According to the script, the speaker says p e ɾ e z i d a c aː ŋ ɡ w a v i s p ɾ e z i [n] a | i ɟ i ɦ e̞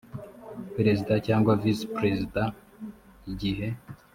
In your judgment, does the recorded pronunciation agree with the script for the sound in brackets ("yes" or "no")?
no